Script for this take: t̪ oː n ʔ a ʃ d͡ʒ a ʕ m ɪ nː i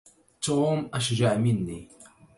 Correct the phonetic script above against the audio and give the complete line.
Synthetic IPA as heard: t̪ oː m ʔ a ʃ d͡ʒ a ʕ m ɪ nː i